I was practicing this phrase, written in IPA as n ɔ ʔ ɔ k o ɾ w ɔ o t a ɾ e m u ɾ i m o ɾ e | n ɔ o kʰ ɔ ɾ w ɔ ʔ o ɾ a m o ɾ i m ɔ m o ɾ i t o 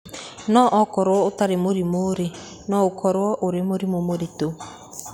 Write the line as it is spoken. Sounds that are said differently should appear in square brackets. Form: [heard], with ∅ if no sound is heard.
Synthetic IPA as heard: n ɔ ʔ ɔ k [ɔ] ɾ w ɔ o t a ɾ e m [o] ɾ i m o ɾ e | n ɔ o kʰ ɔ ɾ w ɔ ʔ o ɾ [e] m o ɾ i m [o] m o ɾ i t o